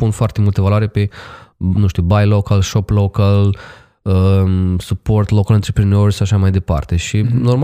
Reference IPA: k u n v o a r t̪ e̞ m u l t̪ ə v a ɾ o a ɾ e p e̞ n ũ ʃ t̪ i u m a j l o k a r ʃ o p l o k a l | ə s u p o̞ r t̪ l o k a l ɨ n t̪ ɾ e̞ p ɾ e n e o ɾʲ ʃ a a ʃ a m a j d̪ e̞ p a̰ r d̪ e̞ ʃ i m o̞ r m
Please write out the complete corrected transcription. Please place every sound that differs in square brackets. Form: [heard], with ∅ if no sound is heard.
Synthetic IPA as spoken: [p] u n [f] o a r t̪ e̞ m u l t̪ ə v a [l] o a ɾ e p e̞ n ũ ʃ t̪ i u [b] a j l o k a [l] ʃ o p l o k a l | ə s u p o̞ r t̪ l o k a l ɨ n t̪ ɾ e̞ p ɾ e n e o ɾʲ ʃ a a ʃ a m a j d̪ e̞ p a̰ r [t̪] e̞ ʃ i [n] o̞ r m